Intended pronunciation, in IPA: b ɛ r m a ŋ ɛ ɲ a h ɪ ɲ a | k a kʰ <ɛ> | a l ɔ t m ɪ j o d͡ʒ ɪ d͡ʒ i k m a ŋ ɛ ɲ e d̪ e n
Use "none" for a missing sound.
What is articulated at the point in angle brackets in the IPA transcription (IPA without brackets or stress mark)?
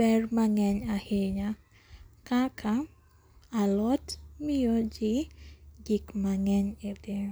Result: a